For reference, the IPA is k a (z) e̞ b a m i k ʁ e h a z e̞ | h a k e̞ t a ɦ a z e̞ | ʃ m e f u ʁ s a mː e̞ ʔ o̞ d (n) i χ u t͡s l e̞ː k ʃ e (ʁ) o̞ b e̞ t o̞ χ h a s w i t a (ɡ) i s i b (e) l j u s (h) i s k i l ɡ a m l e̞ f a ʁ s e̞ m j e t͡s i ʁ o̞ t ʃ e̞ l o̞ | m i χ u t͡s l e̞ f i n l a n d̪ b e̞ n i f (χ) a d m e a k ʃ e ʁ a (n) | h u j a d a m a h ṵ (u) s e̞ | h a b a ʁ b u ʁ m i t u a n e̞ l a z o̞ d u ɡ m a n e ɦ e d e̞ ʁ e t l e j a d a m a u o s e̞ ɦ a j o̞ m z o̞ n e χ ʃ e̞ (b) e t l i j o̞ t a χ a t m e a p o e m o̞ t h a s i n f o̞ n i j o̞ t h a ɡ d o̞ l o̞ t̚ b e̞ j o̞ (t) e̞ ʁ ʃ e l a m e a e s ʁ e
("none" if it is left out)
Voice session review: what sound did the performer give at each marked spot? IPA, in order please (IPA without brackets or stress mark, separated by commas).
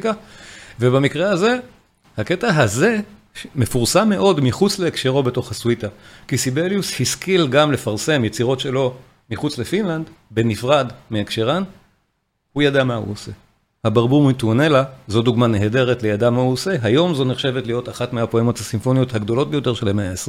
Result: v, m, ʁ, k, e, h, ʁ, n, o, v, t